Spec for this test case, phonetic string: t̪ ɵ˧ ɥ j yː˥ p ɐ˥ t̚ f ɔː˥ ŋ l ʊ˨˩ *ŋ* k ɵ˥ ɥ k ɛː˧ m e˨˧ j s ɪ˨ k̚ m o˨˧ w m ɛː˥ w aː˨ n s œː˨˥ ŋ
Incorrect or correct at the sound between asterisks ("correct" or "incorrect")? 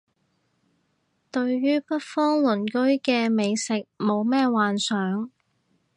incorrect